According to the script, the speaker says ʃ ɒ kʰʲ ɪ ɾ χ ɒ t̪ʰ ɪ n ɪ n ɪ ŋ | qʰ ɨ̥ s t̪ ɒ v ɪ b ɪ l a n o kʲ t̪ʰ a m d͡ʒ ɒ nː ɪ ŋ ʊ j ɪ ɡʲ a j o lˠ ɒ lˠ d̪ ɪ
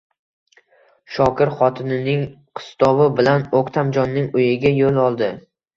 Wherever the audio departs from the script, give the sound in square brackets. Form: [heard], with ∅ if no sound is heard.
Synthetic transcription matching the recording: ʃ ɒ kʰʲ ɪ ɾ χ ɒ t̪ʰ ɪ n ɪ n ɪ ŋ | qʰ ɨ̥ s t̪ ɒ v ɪ b ɪ l a n o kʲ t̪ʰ a m d͡ʒ ɒ nː ɪ ŋ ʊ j ɪ ɡʲ a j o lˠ ɒ lˠ d̪ ɪ